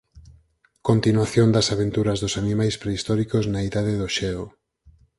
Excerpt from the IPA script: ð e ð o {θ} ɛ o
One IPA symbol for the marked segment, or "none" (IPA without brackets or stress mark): ʃ